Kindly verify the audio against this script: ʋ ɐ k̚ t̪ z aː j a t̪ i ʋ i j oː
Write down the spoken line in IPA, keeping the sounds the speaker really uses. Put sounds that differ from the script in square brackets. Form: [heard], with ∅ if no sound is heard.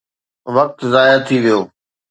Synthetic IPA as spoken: ʋ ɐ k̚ t̪ z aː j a [t̪ʰ] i ʋ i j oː